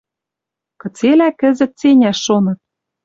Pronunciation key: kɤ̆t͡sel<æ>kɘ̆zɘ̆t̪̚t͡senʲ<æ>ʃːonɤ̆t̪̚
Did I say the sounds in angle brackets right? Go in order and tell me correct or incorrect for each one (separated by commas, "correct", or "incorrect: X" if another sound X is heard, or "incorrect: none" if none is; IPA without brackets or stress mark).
correct, correct